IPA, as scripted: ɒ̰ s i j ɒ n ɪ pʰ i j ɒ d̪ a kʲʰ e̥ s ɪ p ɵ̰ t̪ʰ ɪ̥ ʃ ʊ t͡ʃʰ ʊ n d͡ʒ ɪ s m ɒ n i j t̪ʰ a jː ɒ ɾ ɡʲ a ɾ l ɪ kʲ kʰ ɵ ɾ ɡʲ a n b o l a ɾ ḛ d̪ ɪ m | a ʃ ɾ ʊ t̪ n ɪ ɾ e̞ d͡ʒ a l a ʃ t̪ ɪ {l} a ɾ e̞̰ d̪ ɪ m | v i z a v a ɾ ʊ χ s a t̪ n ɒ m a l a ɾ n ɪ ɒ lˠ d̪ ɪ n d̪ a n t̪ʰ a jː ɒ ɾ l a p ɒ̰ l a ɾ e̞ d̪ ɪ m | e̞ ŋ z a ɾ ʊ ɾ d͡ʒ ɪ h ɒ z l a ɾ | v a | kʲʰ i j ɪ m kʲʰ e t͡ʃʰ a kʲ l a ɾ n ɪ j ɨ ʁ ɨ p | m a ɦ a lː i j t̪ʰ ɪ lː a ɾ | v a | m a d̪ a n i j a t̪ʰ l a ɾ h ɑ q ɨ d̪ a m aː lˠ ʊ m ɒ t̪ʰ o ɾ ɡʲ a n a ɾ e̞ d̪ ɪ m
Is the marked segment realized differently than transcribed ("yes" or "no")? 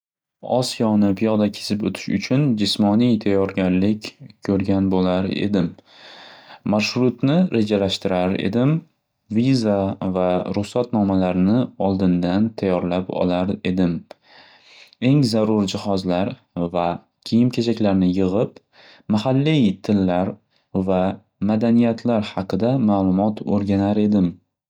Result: yes